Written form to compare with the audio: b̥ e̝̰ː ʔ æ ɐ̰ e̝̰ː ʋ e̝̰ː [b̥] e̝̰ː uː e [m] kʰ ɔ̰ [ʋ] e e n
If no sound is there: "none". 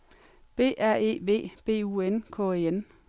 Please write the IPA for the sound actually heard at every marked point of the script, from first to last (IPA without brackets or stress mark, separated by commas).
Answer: b̥, n, none